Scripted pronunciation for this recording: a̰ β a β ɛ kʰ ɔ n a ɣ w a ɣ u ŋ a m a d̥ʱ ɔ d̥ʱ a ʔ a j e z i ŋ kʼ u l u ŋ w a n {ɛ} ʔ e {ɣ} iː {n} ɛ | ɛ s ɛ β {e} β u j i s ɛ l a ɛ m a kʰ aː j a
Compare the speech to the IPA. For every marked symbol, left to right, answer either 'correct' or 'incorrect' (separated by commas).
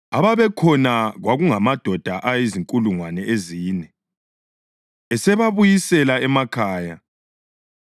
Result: correct, incorrect, correct, incorrect